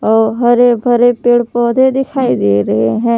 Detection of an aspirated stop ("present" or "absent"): present